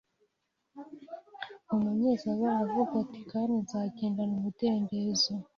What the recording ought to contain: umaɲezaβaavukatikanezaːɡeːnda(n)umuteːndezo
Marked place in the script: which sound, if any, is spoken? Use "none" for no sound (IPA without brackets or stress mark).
n